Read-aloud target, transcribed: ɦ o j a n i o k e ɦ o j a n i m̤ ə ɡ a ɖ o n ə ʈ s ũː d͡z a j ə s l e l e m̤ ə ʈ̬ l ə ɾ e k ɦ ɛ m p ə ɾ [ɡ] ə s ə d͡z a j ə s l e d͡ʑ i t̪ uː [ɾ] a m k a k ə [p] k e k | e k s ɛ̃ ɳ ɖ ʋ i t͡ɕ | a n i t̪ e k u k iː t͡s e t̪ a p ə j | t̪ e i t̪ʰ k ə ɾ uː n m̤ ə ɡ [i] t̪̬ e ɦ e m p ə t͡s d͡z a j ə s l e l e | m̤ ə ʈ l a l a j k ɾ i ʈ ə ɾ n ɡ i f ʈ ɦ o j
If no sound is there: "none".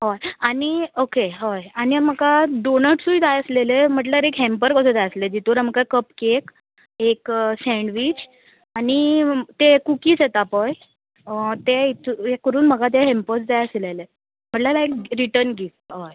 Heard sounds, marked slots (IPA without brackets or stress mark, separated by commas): k, ɾ, p, a